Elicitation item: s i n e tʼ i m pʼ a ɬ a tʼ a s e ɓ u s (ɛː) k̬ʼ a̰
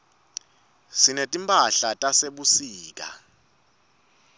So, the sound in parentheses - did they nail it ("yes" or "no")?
no